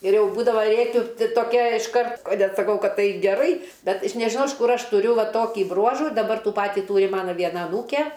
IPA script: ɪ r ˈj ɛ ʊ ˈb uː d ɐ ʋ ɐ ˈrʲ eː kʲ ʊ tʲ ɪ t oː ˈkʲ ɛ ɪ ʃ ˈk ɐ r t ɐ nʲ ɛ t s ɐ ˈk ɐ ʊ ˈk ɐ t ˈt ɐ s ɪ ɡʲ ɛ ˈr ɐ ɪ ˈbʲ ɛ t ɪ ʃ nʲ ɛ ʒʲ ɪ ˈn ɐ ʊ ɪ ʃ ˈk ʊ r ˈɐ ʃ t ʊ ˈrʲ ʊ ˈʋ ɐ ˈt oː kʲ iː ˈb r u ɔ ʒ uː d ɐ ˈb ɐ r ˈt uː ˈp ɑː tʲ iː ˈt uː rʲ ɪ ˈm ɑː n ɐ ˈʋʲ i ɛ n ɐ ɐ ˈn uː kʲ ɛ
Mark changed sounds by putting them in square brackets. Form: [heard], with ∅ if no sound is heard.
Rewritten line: ɪ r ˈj ɛ ʊ ˈb uː d ɐ ʋ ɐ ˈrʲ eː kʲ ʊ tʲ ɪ t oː ˈkʲ ɛ ɪ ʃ ˈk ɐ r t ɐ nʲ ɛ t s ɐ ˈk ɐ ʊ ˈk ɐ t ˈt ɐ [∅] ɪ ɡʲ ɛ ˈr ɐ ɪ ˈbʲ ɛ t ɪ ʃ nʲ ɛ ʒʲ ɪ ˈn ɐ ʊ ɪ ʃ ˈk ʊ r ˈɐ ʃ t ʊ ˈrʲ ʊ ˈʋ ɐ ˈt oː kʲ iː ˈb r u ɔ ʒ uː d ɐ ˈb ɐ r ˈt uː ˈp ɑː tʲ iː ˈt uː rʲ ɪ ˈm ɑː n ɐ ˈʋʲ i ɛ n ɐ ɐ ˈn uː kʲ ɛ